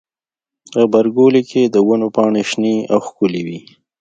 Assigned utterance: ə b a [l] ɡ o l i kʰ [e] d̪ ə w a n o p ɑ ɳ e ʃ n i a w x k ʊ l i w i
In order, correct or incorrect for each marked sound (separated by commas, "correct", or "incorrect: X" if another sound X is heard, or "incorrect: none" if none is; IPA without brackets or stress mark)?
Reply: incorrect: ɾ, correct